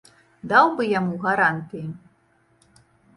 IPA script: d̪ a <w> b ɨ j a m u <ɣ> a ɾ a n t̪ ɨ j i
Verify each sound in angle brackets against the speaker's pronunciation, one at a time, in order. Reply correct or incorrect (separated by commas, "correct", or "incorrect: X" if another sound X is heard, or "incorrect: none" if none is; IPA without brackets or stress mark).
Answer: correct, correct